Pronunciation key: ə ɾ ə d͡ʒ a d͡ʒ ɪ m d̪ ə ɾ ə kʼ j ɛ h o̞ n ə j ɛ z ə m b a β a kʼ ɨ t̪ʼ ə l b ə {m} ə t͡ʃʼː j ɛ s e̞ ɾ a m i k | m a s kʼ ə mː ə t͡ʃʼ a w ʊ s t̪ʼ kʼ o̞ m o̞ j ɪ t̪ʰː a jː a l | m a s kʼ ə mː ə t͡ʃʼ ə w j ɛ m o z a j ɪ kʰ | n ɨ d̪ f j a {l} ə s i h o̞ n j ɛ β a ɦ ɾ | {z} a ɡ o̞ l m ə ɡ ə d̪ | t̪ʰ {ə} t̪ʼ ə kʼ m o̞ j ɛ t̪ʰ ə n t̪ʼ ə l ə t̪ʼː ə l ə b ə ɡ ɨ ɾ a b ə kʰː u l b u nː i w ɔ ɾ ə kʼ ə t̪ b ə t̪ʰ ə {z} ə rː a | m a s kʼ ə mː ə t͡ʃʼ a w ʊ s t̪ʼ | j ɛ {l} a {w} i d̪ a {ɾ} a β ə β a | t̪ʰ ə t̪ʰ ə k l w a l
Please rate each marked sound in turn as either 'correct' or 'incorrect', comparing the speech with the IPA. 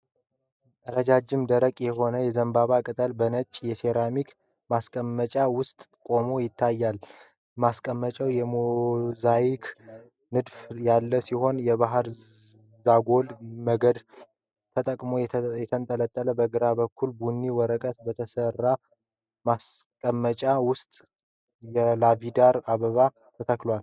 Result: incorrect: n, incorrect: lː, correct, correct, incorrect: s, correct, incorrect: v, correct

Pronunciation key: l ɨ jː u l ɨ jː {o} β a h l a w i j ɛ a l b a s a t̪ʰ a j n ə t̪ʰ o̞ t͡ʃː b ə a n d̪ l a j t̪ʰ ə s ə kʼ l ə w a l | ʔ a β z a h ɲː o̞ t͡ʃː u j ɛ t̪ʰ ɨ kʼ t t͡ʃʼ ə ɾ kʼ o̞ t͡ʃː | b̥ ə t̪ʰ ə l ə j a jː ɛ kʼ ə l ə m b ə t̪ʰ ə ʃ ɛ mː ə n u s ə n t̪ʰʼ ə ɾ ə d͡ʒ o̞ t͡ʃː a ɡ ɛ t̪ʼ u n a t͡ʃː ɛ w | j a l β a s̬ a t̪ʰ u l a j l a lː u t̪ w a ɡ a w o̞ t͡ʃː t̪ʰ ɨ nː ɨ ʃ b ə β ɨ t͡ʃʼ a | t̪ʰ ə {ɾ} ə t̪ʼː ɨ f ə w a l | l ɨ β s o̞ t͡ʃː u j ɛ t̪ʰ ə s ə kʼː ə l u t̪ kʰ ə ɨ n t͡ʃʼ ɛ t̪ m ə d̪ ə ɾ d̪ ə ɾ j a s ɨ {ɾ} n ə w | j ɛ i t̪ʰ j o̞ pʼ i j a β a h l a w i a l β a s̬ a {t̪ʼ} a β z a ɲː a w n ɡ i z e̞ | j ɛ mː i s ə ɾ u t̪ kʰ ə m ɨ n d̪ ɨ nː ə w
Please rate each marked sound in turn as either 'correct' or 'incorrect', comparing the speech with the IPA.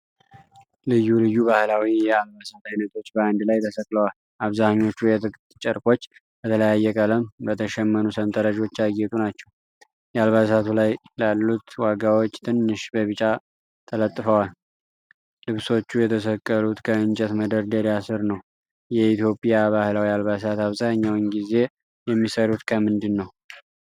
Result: incorrect: u, incorrect: l, correct, incorrect: t̪

